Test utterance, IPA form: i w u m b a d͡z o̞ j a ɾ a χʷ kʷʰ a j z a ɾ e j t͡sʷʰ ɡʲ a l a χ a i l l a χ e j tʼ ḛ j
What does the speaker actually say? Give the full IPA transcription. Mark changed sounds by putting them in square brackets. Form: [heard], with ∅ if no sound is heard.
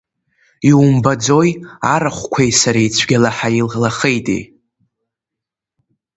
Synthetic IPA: i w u m b a d͡z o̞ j a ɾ a χʷ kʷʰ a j [s] a ɾ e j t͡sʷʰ ɡʲ a l a [ħ] a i l l a χ e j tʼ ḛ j